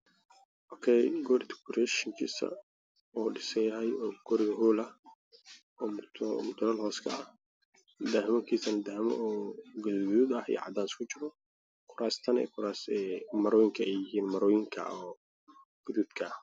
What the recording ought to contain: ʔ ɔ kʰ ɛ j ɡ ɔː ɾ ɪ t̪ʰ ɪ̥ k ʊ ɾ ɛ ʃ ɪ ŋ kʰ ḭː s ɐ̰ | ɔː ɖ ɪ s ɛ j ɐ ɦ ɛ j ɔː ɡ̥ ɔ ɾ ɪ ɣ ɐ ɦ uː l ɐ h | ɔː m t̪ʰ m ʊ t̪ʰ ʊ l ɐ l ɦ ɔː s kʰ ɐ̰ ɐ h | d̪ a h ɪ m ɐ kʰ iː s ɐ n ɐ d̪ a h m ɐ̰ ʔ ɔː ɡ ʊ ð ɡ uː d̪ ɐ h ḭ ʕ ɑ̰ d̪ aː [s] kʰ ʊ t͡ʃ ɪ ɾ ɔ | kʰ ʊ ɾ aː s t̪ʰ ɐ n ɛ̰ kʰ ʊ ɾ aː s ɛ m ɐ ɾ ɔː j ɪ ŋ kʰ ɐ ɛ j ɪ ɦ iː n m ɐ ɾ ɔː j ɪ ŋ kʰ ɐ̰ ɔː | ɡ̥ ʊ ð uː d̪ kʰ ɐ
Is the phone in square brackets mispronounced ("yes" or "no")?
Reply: no